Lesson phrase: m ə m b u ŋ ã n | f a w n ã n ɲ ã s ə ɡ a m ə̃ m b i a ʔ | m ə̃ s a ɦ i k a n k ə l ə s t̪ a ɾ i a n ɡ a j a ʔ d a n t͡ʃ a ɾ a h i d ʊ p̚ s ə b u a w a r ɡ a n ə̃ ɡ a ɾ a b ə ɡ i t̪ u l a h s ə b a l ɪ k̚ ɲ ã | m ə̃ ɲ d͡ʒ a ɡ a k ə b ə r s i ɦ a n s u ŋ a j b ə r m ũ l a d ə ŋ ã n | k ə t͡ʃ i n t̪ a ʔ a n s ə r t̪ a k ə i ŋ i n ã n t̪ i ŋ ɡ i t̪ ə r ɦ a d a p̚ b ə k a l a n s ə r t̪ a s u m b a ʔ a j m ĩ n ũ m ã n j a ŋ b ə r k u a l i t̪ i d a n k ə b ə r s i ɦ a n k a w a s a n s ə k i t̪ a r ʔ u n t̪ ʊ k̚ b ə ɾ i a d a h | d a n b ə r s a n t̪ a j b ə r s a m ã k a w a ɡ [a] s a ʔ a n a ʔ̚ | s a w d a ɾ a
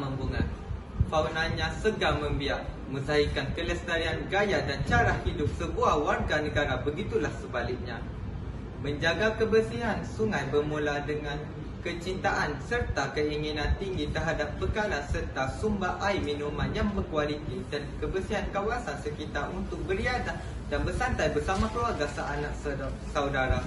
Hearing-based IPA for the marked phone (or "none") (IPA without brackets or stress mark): a